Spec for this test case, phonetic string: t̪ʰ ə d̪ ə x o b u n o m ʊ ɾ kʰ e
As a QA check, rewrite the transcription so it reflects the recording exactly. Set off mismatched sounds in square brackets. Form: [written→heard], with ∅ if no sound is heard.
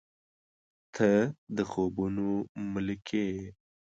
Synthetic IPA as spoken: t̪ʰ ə d̪ ə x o b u n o m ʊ [ɾ→l] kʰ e